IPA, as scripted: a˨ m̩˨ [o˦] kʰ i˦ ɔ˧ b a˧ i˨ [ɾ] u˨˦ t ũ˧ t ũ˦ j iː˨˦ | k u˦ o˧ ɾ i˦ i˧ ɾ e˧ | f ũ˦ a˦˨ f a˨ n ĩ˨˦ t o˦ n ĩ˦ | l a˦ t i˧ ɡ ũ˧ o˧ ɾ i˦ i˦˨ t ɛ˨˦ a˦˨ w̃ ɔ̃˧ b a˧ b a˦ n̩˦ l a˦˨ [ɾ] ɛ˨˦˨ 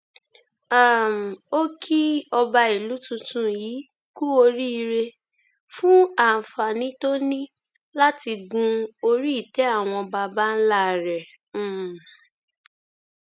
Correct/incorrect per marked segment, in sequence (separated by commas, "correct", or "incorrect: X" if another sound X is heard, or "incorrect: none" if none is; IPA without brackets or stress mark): correct, incorrect: l, correct